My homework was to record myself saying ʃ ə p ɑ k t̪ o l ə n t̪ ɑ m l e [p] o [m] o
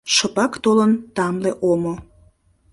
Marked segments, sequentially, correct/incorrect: incorrect, correct

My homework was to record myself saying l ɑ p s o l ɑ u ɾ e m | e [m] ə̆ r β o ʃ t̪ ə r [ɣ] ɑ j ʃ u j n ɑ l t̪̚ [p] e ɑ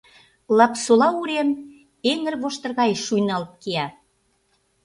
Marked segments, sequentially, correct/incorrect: incorrect, correct, incorrect

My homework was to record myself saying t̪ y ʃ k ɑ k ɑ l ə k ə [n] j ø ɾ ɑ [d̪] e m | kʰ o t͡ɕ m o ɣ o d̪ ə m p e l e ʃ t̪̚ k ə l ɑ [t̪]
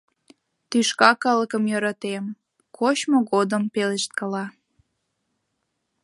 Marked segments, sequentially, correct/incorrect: incorrect, incorrect, incorrect

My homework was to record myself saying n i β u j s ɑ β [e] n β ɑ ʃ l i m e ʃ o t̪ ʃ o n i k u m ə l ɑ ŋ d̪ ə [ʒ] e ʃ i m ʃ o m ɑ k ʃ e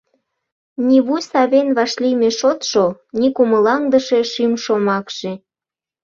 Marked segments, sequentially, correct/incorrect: correct, incorrect

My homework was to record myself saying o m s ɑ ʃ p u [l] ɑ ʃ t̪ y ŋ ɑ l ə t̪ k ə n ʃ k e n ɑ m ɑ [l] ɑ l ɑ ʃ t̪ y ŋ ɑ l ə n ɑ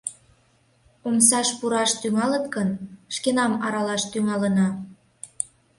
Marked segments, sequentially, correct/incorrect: incorrect, incorrect

